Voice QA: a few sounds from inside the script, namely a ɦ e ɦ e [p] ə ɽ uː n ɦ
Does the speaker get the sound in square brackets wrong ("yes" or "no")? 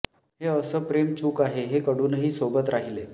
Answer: yes